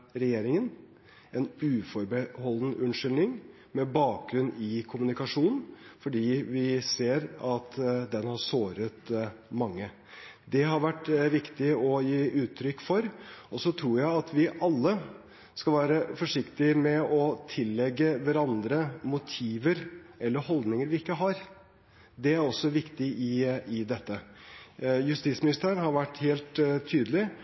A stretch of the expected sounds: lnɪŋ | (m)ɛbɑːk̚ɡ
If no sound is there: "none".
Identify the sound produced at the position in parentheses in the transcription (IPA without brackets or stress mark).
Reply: m